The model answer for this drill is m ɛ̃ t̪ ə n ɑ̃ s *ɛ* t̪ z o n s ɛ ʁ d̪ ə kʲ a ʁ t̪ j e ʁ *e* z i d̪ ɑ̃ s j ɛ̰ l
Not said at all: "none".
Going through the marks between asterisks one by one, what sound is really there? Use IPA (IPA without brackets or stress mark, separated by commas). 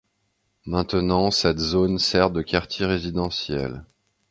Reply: ɛ, e